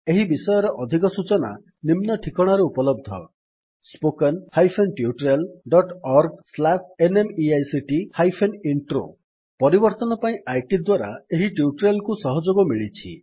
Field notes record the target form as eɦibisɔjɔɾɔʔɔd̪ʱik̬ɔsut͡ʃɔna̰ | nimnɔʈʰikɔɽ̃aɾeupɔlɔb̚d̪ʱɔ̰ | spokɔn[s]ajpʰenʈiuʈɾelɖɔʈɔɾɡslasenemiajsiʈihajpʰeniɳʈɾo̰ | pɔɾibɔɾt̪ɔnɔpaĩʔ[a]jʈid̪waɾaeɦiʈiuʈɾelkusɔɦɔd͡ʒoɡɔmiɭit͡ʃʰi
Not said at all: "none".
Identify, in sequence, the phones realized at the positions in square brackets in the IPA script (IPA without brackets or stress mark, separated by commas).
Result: h, a